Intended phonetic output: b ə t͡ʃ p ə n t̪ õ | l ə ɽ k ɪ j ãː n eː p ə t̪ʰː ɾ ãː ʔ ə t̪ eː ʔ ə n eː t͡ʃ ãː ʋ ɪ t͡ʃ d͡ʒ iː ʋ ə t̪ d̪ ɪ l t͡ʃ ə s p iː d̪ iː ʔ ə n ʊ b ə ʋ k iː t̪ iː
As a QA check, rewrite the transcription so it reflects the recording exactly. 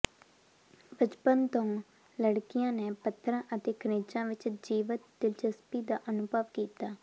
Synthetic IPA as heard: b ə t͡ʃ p ə n t̪ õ | l ə ɽ k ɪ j ãː n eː p ə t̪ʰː ɾ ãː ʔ ə t̪ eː k ə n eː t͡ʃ ãː ʋ ɪ t͡ʃ d͡ʒ iː ʋ ə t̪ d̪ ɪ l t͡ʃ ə s p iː d̪ aː ʔ ə n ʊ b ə ʋ k iː t̪ aː